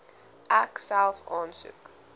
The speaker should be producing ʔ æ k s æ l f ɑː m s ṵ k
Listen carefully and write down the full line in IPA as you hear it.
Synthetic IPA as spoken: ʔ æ k s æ l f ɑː n s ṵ k